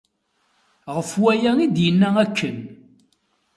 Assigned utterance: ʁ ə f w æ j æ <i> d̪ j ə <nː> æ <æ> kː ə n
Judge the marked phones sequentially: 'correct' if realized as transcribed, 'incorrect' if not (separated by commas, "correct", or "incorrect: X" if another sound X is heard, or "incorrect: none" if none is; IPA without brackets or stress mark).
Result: correct, correct, correct